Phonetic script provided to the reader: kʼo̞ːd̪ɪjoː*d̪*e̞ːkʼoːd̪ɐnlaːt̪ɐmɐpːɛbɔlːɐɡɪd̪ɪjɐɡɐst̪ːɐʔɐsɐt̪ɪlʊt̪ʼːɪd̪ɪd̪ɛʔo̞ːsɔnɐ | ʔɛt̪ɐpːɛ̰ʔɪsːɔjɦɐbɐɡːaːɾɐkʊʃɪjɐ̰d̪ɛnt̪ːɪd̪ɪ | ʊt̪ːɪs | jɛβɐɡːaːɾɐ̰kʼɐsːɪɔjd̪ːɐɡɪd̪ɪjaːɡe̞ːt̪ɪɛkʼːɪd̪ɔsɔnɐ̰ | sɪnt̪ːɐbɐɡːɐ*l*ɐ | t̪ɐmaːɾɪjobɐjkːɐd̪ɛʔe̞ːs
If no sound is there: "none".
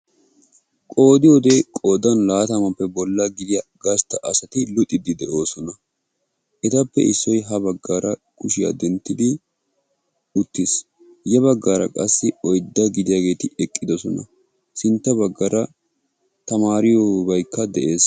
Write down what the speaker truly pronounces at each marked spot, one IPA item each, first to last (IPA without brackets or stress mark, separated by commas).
d̪, ɾ